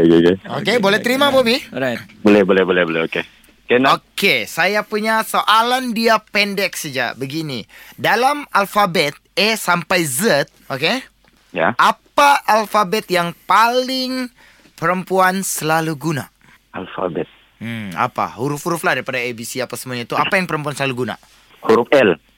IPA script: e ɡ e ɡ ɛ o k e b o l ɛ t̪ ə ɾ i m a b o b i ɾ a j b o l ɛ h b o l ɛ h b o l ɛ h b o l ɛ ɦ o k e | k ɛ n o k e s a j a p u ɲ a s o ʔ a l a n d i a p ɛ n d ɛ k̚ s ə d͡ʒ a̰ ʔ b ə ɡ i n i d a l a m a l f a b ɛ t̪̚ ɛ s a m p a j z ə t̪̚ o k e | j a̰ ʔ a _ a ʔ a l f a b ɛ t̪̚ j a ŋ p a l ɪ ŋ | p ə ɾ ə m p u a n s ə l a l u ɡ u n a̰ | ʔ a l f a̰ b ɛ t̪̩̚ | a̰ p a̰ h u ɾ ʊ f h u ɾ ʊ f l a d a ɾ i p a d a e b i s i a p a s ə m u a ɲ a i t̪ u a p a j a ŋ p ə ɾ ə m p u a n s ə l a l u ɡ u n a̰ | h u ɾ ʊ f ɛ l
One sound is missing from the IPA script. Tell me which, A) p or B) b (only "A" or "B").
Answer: A